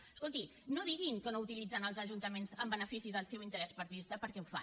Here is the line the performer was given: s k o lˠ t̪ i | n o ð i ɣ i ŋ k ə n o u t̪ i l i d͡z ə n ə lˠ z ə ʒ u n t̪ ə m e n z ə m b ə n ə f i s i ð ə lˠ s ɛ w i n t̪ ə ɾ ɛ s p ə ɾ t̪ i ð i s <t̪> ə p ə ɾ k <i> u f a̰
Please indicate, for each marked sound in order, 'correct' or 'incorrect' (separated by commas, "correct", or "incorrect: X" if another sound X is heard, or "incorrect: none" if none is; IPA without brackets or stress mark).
correct, incorrect: ɛ